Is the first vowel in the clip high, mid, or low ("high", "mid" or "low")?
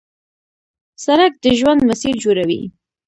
low